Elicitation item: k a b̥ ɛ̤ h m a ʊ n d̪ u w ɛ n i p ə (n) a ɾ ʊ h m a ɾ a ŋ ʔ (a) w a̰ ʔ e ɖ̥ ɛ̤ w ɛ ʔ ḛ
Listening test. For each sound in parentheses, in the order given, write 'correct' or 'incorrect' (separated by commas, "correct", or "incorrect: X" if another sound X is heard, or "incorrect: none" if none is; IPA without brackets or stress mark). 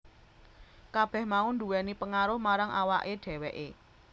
incorrect: ŋ, correct